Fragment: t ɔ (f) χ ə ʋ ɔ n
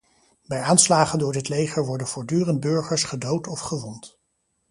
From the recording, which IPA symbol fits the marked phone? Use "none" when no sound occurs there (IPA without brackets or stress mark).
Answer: f